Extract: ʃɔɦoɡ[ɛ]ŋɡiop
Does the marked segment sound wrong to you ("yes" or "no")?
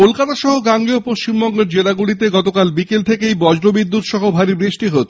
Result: yes